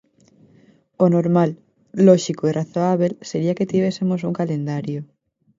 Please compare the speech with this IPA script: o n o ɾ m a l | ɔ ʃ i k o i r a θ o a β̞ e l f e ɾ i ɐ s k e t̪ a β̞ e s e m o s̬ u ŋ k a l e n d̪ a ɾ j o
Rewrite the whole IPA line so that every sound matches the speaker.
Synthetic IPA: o n o ɾ m a lː | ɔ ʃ i k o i r a θ o a β̞ e l s e ɾ i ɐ k e t̪ i β̞ e s e m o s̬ u ŋ k a l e n d̪ a ɾ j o